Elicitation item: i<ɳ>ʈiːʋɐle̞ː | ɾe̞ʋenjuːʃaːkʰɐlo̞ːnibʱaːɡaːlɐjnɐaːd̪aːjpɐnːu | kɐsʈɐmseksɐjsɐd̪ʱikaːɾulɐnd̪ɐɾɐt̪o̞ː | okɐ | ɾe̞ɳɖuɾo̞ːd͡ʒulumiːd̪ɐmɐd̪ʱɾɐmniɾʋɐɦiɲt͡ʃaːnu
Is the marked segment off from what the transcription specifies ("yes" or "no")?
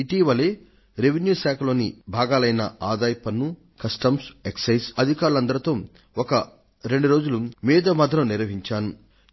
yes